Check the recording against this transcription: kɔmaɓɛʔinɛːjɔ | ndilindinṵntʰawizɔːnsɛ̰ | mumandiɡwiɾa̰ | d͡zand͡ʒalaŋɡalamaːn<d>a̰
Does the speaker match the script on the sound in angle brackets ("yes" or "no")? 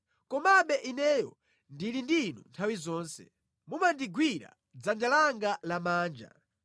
no